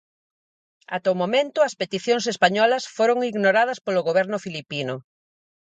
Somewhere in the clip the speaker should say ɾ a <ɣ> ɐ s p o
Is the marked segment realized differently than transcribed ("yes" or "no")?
yes